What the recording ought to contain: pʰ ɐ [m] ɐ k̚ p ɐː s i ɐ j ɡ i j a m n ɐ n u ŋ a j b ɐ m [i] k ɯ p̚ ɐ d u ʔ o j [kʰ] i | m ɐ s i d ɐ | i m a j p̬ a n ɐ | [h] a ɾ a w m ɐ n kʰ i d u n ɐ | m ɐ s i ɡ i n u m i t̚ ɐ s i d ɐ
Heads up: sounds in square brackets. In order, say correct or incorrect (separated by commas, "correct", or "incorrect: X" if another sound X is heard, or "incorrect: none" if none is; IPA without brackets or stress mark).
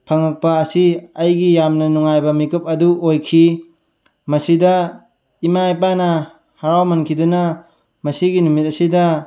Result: incorrect: ŋ, correct, correct, correct